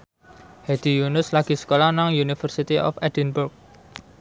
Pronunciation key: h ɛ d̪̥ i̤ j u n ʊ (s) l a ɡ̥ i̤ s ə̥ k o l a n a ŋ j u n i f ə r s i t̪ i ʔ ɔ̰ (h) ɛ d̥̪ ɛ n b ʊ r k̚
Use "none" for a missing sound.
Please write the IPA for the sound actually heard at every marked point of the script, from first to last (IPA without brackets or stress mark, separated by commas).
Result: s, f